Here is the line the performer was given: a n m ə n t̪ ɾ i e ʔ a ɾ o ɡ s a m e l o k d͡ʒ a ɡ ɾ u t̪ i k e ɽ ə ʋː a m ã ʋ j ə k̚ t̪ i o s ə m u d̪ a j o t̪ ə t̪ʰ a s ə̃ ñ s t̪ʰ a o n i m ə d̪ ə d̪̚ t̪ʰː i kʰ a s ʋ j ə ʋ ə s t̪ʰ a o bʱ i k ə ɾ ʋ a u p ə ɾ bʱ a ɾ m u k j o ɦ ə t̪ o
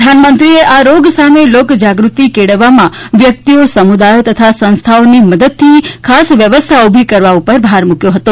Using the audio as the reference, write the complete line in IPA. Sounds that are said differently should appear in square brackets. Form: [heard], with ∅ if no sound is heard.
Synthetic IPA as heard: a n m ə n t̪ ɾ i e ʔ a ɾ o ɡ s a m e l o k d͡ʒ a ɡ ɾ u t̪ i k e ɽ ə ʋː a m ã ʋ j ə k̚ t̪ i o s ə m u d̪ a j o t̪ ə t̪ʰ a s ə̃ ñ s t̪ʰ a o n i m ə d̪ ə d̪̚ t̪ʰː i kʰ a s ʋ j ə ʋ ə s t̪ʰ a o bʱ i k ə ɾ ʋ a u p ə ɾ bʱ a ɾ m u k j o ɦ ə t̪ o

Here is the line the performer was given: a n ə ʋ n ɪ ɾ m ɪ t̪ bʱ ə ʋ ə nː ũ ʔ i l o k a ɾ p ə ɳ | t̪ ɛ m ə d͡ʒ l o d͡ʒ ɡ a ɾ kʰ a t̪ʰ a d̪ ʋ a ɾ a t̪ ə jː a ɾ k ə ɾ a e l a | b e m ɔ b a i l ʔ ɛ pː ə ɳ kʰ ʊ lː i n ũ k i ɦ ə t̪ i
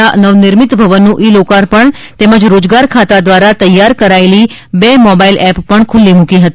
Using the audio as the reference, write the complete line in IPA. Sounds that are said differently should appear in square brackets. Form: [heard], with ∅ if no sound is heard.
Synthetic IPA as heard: a n ə ʋ n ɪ ɾ m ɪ t̪ bʱ ə ʋ ə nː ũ ʔ i l o k a ɾ p ə ɳ | t̪ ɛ m ə d͡ʒ [ɾ] o d͡ʒ ɡ a ɾ kʰ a [t̪] a d̪ ʋ a ɾ a t̪ ə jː a ɾ k ə ɾ a e l [i] | b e m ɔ b a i l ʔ ɛ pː ə ɳ kʰ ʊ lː i [m] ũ k i ɦ ə t̪ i

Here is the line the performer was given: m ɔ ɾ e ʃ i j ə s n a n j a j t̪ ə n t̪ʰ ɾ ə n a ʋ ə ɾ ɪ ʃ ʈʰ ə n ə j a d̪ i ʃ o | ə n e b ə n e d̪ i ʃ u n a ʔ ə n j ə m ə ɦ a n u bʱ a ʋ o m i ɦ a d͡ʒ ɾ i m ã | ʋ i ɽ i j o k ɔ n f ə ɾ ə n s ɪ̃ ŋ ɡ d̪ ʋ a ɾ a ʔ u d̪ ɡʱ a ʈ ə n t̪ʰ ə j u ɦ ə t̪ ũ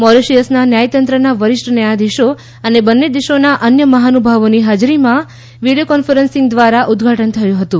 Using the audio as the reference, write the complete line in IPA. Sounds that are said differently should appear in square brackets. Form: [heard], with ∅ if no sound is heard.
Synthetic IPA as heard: m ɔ ɾ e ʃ i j ə s n a n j a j t̪ ə n [t̪] ɾ ə n a ʋ ə ɾ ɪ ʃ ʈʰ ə n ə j a d̪ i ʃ o | ə n e b ə [nː] e d̪ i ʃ [o] n a ʔ ə n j ə m ə ɦ a n u bʱ a ʋ o [n] i ɦ a d͡ʒ ɾ i m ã | ʋ i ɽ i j o k ɔ n f ə ɾ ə n s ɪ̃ ŋ ɡ d̪ ʋ a ɾ a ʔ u d̪ ɡʱ a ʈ ə n t̪ʰ ə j [ũ] ɦ ə t̪ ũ

